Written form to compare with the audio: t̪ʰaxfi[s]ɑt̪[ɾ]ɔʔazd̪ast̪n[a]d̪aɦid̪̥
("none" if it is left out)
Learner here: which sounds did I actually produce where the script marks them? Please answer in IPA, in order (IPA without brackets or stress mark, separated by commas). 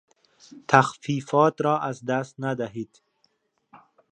f, ɾ, a